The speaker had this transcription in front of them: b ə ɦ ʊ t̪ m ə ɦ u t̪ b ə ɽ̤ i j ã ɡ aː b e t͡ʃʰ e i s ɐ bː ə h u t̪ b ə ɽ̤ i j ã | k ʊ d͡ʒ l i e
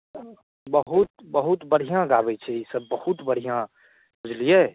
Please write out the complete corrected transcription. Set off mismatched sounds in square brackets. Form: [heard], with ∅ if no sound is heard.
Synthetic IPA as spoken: b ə ɦ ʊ t̪ [b] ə ɦ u t̪ b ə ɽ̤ i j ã ɡ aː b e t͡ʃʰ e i s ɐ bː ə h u t̪ b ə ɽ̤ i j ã | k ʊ d͡ʒ l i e